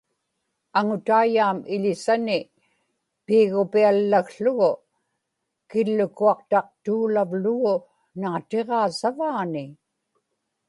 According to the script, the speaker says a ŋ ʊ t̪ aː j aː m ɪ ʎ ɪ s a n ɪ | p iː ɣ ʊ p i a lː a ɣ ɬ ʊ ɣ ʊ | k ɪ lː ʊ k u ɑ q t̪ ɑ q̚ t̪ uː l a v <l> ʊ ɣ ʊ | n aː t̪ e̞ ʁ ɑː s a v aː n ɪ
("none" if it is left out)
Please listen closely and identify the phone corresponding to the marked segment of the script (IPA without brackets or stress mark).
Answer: l